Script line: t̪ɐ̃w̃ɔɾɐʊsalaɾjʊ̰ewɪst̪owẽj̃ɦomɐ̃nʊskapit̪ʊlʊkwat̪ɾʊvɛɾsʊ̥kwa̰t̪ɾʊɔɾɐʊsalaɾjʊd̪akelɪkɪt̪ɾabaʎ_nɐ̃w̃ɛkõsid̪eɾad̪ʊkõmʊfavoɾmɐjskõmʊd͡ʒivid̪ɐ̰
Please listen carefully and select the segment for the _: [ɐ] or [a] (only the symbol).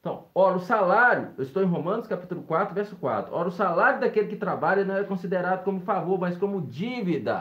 ɐ